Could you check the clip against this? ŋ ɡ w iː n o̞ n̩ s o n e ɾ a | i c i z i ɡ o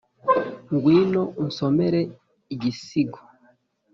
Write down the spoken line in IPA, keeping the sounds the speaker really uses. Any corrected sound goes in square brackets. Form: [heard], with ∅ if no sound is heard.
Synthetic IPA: ŋ ɡ w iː n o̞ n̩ s o [m] e ɾ [e] | i [ɟ] i [s] i ɡ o